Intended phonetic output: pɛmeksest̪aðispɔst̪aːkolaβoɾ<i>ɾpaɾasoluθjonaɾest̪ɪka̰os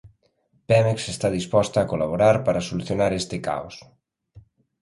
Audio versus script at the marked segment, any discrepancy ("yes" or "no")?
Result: yes